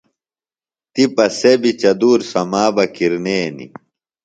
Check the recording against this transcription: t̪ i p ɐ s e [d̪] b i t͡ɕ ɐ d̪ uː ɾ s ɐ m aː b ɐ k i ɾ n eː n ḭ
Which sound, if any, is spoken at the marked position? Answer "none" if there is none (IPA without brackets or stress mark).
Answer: none